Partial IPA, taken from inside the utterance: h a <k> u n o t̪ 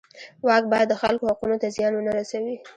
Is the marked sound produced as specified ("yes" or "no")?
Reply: no